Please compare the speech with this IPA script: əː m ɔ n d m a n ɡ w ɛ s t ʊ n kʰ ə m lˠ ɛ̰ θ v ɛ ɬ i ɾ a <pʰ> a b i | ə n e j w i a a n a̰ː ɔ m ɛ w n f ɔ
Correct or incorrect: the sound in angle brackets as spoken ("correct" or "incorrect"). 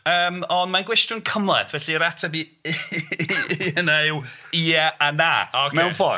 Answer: incorrect